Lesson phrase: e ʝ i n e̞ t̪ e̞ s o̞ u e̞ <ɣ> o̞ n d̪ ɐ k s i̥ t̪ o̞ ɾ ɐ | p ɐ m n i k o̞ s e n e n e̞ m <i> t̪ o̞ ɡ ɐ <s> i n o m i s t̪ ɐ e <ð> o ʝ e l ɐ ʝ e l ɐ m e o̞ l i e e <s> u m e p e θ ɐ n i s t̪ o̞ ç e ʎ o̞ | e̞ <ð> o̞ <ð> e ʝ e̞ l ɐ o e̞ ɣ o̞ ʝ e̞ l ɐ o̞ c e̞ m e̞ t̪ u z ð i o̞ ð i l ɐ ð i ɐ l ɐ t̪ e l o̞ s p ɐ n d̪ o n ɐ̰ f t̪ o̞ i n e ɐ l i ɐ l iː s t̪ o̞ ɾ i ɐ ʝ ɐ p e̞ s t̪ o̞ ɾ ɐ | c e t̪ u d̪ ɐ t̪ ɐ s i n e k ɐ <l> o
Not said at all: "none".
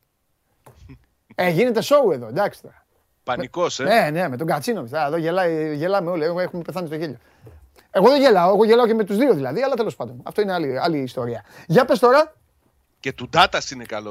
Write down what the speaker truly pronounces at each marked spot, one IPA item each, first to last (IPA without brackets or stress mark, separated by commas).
ð, e, t͡s, ð, x, ɣ, ð, l